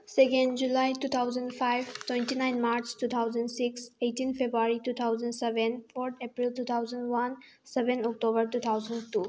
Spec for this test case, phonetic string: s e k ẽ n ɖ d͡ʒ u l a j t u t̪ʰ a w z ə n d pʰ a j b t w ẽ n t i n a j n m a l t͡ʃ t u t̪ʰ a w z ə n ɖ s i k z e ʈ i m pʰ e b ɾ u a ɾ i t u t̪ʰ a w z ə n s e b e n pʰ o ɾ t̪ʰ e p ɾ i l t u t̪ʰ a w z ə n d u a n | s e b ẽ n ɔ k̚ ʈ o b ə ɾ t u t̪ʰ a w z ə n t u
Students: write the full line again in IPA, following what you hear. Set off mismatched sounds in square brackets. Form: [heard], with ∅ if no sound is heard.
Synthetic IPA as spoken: s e k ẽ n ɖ d͡ʒ u l a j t u t̪ʰ a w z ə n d pʰ a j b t w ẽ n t i n a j n m a [ɾ] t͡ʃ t u t̪ʰ a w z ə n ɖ s i k [s] e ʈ i [n] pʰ e b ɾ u a ɾ i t u t̪ʰ a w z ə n s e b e n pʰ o ɾ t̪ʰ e p ɾ i l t u t̪ʰ a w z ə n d [w] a n | s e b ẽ n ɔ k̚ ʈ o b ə ɾ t u t̪ʰ a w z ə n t u

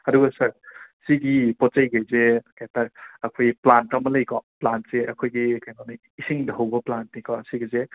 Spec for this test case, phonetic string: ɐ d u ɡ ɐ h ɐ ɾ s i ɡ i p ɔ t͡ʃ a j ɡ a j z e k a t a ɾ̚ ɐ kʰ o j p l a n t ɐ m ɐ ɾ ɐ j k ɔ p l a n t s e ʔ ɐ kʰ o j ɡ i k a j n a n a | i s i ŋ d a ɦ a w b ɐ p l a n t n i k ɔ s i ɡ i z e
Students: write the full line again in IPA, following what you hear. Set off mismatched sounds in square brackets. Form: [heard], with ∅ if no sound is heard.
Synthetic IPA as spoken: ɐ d u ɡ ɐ [s] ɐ ɾ s i ɡ i p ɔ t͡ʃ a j ɡ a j z e k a t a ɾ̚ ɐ kʰ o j p l a n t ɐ m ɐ [l] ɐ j k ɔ p l a n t s e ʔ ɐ kʰ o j ɡ i k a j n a n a | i s i ŋ d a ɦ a w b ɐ p l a n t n i k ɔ s i ɡ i z e

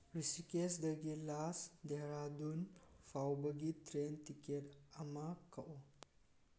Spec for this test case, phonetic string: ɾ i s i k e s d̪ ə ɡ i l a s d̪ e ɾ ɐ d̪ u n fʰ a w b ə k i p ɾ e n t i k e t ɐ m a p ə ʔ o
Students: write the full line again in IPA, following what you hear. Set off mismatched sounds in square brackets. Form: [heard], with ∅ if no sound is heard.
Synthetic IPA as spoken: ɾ i s i k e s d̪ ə ɡ i l a s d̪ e ɾ [a] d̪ u n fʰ a w b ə [ɡ] i [t] ɾ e n t i k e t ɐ m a [k] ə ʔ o

